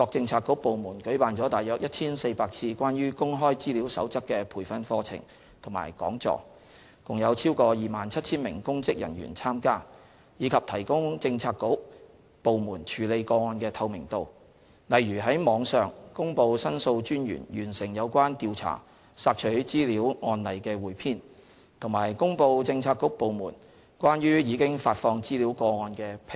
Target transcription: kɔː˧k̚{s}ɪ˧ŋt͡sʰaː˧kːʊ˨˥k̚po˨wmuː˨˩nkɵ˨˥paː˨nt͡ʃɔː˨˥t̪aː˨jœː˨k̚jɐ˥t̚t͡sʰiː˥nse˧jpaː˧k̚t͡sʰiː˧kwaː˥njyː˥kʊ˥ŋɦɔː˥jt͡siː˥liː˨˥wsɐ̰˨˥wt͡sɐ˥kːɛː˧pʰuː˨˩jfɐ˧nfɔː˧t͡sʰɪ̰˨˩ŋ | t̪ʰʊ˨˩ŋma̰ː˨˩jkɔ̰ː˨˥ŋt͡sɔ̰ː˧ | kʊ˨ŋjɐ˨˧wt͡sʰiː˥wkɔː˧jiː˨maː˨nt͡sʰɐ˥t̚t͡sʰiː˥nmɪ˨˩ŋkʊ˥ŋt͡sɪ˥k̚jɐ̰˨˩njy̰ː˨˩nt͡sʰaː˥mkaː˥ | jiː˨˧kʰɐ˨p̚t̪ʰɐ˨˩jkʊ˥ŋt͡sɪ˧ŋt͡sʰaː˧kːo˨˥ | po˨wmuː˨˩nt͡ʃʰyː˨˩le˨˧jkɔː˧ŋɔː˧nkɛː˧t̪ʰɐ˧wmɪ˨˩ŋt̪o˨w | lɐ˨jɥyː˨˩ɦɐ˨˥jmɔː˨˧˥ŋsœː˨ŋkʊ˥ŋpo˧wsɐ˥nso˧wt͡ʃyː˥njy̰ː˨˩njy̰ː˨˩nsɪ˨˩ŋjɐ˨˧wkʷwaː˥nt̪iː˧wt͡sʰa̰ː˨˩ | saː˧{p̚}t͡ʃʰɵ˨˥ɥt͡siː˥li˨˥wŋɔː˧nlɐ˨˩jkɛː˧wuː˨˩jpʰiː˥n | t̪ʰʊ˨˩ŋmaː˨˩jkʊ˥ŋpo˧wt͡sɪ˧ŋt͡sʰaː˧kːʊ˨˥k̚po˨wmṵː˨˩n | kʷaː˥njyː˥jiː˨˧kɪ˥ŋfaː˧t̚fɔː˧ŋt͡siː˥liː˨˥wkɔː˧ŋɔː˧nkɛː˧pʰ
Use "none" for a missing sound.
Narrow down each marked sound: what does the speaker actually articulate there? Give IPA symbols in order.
t͡s, k̚

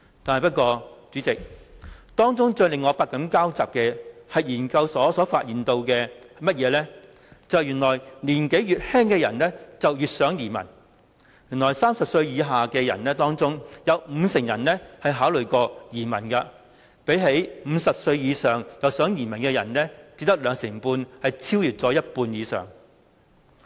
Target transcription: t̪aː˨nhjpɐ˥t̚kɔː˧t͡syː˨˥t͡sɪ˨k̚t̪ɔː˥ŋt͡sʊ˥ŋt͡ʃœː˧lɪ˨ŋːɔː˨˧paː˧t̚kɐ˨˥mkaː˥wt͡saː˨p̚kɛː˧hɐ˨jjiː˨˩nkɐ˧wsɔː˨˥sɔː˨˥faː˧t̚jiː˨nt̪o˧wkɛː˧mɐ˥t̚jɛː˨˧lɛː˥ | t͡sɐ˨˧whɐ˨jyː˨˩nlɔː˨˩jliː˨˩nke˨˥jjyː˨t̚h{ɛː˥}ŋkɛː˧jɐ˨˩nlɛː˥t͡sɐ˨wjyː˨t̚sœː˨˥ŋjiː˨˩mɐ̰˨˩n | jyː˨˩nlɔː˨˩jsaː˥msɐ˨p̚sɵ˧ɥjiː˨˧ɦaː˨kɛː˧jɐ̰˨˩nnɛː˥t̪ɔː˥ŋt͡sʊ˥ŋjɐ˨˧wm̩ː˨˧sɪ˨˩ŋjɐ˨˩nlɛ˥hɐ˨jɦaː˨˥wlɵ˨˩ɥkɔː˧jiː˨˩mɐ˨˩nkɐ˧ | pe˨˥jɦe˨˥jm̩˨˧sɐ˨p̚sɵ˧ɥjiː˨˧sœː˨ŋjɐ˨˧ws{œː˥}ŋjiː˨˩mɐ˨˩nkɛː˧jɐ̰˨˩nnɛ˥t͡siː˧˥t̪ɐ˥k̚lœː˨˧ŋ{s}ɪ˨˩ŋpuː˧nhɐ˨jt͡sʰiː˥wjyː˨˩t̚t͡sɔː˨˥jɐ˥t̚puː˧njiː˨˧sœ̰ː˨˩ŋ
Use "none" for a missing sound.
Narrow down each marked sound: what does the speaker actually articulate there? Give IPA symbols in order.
ɛː˥, œː˨˥, s

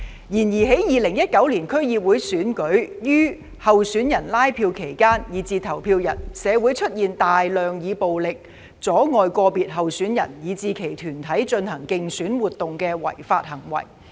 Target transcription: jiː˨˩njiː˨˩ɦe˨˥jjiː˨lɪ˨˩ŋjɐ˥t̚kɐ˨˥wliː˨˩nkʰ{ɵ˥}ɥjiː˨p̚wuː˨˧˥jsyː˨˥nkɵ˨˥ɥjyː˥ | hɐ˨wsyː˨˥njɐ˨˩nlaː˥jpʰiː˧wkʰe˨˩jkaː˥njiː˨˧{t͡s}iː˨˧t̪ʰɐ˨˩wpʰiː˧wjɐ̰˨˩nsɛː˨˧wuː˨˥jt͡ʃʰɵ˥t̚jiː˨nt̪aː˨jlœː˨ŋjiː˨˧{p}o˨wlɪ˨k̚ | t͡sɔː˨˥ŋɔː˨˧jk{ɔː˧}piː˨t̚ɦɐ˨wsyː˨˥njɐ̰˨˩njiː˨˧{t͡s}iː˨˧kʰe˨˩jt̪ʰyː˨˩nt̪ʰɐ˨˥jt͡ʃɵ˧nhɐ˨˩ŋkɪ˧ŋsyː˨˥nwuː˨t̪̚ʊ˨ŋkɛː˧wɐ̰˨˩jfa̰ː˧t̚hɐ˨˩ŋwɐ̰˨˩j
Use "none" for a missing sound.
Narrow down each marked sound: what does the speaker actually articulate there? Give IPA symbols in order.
ɵ˥, t͡s, p, ɔː˧, t͡s

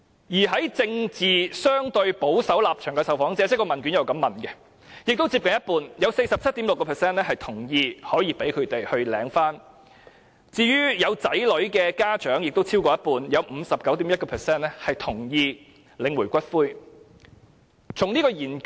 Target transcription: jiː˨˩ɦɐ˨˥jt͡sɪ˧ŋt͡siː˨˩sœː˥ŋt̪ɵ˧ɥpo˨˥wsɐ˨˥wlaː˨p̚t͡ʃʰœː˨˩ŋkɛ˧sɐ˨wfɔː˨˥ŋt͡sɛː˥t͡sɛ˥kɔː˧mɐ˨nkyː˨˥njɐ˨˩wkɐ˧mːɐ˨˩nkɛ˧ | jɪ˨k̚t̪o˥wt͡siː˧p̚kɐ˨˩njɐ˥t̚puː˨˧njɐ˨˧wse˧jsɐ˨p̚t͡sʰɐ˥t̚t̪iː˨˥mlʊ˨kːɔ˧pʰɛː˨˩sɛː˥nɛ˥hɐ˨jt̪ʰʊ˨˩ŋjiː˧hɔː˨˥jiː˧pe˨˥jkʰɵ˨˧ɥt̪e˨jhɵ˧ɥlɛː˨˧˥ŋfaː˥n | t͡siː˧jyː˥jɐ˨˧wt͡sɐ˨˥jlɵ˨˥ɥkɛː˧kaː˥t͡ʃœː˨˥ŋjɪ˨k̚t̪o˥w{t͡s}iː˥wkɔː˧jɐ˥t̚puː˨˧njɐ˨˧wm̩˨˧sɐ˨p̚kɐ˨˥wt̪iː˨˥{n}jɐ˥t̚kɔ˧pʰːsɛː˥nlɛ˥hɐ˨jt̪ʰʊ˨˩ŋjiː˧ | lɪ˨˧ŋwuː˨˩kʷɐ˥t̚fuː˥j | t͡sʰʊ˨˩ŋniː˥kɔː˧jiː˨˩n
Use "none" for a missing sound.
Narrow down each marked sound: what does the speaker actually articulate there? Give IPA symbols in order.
t͡sʰ, m

